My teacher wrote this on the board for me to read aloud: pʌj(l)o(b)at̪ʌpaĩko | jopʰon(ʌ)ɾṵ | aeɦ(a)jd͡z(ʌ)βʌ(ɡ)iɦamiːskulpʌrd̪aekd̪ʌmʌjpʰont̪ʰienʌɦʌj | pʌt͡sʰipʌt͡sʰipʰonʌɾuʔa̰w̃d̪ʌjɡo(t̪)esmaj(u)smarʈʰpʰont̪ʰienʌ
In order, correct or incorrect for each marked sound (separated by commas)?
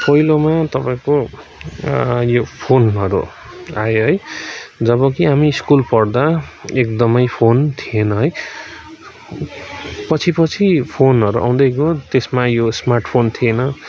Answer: correct, incorrect, correct, incorrect, correct, incorrect, correct, incorrect